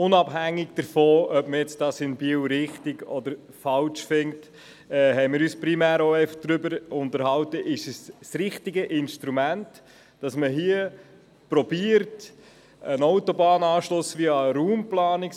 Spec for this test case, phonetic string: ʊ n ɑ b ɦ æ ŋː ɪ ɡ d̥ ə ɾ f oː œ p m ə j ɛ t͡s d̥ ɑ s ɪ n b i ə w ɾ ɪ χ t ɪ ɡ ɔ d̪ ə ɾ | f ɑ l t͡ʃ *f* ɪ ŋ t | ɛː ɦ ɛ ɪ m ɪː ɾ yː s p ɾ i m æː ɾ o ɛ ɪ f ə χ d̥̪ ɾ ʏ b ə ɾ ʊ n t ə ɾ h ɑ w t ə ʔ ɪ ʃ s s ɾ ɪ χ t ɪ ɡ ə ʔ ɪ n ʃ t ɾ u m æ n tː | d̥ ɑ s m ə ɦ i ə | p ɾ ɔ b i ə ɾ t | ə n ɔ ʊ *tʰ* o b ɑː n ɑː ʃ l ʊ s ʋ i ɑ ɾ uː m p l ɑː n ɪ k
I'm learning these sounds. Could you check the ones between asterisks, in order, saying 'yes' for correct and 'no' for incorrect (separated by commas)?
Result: yes, no